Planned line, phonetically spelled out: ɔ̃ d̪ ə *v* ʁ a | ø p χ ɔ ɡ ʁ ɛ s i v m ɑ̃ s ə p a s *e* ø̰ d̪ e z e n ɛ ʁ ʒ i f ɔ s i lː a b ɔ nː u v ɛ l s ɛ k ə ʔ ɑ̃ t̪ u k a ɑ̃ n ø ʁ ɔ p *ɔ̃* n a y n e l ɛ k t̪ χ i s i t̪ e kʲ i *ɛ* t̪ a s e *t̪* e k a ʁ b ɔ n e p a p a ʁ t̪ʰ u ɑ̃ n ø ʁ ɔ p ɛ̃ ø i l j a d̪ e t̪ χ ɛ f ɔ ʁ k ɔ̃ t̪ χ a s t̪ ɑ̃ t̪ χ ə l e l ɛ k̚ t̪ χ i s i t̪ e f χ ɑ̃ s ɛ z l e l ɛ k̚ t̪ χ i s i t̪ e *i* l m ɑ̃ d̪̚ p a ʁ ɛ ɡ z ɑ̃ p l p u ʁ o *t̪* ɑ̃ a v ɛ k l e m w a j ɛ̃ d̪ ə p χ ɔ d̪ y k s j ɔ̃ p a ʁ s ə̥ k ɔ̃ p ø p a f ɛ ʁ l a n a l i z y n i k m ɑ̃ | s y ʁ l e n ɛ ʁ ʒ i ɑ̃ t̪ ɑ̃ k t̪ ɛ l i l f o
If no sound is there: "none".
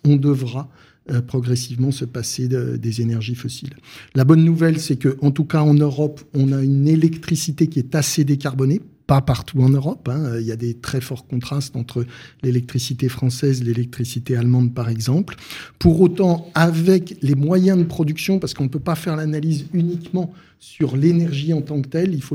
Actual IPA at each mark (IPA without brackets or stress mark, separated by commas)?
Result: v, e, ɔ̃, ɛ, d̪, a, t̪